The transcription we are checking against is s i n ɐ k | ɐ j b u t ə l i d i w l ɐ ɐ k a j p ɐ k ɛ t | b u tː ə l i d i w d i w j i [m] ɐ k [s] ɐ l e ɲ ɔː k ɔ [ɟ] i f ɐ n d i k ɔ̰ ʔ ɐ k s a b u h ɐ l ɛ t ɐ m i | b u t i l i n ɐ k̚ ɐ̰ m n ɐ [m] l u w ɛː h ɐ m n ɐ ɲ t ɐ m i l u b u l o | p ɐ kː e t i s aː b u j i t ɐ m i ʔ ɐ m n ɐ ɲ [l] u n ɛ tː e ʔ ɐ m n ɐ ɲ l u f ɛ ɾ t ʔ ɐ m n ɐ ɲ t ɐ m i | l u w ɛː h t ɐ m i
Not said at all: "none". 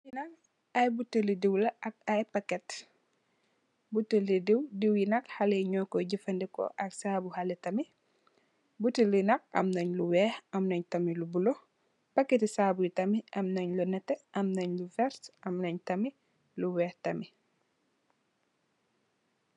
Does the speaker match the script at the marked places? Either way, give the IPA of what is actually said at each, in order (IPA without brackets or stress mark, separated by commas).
n, h, ɟ, ɲ, l